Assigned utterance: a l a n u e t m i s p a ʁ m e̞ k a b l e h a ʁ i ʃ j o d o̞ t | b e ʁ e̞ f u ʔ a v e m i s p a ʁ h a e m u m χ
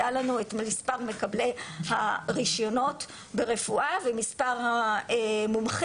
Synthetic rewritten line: a l a n u e t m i s p a ʁ m e̞ k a b l e h a ʁ i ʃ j o n o̞ t | b e ʁ e̞ f u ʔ a v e m i s p a ʁ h a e m u m χ